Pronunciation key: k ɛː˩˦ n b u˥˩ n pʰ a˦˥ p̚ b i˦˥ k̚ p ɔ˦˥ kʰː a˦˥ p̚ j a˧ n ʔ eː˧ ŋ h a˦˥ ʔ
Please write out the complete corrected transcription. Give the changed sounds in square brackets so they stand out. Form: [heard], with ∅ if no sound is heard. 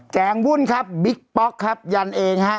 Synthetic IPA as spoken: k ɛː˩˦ [ŋ] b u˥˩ n [kʰ] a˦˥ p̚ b i˦˥ k̚ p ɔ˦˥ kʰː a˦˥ p̚ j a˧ n ʔ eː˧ ŋ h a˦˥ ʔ